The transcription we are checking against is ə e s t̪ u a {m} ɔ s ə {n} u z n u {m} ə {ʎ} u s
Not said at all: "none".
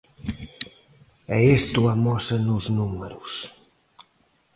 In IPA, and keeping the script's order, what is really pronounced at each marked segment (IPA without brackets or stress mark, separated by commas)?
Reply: m, n, m, ɾ